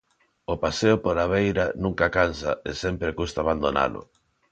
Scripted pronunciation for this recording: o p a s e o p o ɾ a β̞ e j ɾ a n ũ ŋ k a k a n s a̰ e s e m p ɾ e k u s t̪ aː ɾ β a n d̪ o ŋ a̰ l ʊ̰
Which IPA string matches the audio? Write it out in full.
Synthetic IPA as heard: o p a s e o p o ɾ a β̞ e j ɾ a n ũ ŋ k a k a n s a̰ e s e m p ɾ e k u s t̪ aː β a n d̪ o n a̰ l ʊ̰